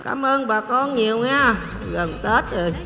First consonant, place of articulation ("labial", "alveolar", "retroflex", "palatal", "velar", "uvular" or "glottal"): velar